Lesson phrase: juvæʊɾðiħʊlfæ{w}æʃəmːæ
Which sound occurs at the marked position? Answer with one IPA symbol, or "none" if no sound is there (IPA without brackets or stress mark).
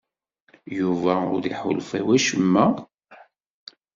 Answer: w